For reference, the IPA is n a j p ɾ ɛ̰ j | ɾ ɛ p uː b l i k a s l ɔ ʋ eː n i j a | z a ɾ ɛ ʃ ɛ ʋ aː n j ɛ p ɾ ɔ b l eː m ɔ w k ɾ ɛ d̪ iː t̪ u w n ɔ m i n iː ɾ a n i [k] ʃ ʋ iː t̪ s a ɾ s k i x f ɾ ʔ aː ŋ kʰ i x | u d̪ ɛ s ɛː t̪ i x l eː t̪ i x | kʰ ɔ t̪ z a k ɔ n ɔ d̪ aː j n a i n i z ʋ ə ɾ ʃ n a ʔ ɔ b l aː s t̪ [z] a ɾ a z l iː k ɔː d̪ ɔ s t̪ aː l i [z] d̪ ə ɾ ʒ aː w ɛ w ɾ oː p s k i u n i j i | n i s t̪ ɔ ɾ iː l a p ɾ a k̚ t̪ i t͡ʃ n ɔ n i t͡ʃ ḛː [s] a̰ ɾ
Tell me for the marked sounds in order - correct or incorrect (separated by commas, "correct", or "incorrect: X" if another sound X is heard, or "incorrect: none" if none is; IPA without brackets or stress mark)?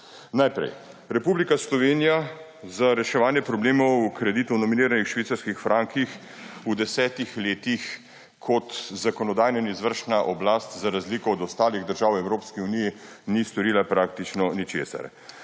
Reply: incorrect: x, correct, incorrect: ɣ, correct